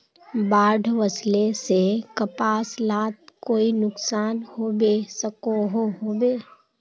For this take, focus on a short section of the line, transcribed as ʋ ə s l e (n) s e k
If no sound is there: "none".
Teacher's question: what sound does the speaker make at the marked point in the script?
none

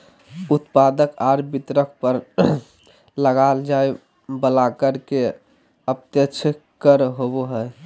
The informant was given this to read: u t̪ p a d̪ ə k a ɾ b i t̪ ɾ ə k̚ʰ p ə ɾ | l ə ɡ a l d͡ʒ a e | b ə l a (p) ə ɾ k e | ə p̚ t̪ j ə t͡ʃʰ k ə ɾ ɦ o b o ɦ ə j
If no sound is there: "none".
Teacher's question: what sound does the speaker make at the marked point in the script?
k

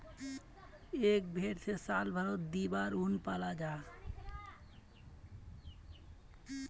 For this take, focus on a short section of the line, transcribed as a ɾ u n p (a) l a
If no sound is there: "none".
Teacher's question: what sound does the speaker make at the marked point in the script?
a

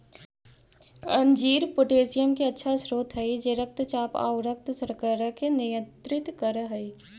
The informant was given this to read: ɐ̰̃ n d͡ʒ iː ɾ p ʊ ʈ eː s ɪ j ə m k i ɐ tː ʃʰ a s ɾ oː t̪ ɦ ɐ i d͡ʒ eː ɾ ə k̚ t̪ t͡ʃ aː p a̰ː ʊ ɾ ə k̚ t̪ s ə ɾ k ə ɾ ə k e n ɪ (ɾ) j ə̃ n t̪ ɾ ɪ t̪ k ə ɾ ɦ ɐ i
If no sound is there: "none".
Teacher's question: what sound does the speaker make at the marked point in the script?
none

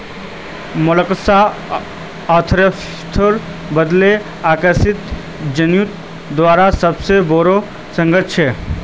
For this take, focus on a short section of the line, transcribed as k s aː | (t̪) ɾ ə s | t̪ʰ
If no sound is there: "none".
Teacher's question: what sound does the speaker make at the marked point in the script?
t̪ʰ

